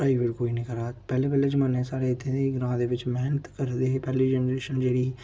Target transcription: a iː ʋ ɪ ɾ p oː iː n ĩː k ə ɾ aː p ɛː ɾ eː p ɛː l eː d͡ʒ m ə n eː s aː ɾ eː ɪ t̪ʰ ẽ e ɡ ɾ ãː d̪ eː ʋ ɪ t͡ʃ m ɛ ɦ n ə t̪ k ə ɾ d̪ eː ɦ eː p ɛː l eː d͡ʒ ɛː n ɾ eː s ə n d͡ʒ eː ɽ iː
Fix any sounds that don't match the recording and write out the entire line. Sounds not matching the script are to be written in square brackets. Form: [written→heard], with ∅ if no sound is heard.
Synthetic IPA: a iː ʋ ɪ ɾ [p→k] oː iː n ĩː k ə ɾ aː p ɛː [ɾ→l] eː p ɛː l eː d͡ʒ m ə n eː s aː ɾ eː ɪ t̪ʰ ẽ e ɡ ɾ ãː d̪ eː ʋ ɪ t͡ʃ m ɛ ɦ n ə t̪ k ə ɾ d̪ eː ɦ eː p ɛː l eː d͡ʒ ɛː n ɾ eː [s→ʃ] ə n d͡ʒ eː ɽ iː